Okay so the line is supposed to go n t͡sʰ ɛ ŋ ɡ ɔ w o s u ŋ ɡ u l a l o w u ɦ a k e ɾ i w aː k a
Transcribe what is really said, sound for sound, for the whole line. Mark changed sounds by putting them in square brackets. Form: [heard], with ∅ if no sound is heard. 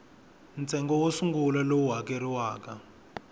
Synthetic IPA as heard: n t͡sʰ ɛ ŋ ɡ ɔ w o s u ŋ ɡ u l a l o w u ɦ a k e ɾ i w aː k a